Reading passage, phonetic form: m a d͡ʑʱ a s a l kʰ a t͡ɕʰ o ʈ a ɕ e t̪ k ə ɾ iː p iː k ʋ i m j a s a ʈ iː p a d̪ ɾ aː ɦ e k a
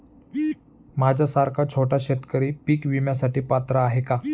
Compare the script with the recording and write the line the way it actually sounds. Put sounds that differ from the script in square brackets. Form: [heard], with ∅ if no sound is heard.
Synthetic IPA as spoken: m a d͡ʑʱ a s a [ɾ] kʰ a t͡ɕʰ o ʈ a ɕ e t̪ k ə ɾ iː p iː k ʋ i m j a s a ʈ iː p a [t̪] ɾ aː ɦ e k a